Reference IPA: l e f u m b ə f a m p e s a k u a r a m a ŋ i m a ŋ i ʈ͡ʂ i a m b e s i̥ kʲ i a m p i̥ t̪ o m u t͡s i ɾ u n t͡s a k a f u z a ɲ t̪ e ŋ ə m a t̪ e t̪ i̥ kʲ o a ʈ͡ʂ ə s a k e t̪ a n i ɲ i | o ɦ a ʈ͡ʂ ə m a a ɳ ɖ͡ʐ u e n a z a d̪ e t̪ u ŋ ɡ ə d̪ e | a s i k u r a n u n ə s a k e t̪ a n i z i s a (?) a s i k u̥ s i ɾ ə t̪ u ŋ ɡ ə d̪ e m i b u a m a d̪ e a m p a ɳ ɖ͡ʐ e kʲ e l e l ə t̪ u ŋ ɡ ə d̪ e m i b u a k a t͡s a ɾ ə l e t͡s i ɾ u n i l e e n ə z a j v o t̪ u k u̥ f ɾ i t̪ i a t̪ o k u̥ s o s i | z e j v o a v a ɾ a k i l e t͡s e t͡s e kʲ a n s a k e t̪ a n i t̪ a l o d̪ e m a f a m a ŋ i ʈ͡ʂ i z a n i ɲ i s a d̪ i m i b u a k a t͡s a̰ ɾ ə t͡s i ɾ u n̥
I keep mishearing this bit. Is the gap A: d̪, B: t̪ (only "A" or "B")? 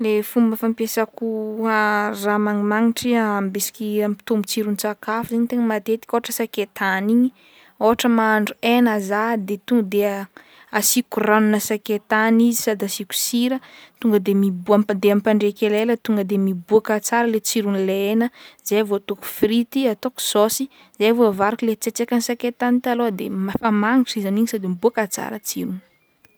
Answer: A